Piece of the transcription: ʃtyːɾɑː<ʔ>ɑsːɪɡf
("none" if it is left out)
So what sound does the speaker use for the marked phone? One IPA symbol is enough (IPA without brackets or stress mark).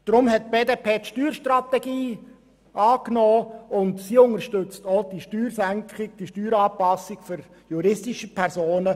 p